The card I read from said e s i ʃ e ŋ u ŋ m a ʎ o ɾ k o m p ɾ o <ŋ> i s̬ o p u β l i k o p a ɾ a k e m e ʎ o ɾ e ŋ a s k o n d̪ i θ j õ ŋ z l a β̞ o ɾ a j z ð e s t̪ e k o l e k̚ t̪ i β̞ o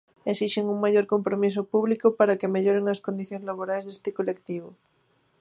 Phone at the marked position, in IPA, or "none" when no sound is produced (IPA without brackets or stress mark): m